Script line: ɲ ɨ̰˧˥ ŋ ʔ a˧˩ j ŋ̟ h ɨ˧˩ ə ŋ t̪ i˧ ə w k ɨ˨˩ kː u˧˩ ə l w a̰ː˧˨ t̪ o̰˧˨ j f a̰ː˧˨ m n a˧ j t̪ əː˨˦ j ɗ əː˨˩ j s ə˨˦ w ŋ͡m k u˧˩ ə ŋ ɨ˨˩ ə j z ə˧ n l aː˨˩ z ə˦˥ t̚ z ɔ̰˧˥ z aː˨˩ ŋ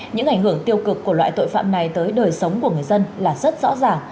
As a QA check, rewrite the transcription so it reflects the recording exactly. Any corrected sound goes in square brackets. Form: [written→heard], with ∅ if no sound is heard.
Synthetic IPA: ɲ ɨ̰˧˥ ŋ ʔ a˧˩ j ŋ̟ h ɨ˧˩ ə ŋ t̪ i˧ ə w k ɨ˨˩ kː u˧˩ ə l w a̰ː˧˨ t̪ o̰˧˨ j f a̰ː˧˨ m n [a˧→a˨˩] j t̪ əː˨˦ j ɗ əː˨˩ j s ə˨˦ w ŋ͡m k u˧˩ ə ŋ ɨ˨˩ ə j z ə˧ n l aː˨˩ z ə˦˥ t̚ z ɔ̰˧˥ z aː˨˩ ŋ